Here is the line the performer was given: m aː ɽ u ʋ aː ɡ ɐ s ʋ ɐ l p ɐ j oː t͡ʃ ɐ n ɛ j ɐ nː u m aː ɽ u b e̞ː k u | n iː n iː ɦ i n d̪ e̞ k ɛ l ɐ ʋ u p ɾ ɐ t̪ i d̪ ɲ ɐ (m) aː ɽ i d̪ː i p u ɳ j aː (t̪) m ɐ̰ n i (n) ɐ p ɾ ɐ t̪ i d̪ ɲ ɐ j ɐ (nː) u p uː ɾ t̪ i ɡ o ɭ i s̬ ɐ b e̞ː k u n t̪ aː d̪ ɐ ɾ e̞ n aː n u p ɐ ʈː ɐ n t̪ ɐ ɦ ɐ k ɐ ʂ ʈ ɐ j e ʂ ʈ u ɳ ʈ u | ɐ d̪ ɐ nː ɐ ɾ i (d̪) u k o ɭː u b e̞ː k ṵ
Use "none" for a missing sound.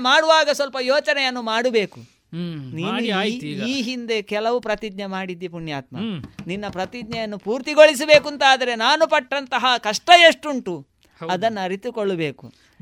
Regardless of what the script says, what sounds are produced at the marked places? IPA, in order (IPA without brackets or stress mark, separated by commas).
m, t̪, nː, nː, t̪